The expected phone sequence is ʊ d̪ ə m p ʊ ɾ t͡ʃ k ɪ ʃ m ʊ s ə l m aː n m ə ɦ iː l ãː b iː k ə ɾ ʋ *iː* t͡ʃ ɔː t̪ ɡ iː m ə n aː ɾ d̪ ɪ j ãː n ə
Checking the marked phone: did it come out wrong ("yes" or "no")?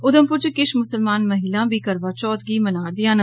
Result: yes